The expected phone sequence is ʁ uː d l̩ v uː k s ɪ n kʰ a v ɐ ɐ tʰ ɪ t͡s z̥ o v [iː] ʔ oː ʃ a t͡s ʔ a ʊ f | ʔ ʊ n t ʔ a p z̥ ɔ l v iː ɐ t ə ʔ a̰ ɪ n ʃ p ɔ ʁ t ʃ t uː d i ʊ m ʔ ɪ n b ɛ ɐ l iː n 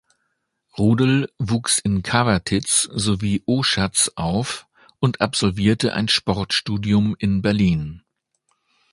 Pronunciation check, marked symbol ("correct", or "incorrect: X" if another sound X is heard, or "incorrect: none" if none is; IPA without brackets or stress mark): correct